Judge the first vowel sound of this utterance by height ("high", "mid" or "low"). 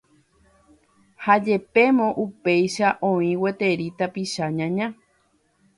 low